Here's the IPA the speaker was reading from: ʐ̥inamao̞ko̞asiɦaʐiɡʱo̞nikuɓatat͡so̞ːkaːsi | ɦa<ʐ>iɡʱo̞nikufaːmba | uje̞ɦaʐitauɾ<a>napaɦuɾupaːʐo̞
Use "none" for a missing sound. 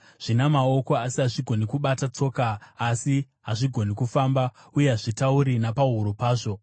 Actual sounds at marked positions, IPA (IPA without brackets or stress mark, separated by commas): ʐ, i